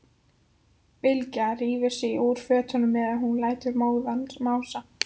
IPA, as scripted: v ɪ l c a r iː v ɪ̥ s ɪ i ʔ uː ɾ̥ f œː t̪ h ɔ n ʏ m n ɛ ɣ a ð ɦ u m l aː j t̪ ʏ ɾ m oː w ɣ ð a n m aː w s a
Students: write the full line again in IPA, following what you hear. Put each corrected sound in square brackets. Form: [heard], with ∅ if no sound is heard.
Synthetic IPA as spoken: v ɪ l c a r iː v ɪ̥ s ɪ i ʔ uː ɾ̥ f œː t̪ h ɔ n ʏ m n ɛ [ð] a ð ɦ u [n] l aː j t̪ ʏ ɾ m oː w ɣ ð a n m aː w s a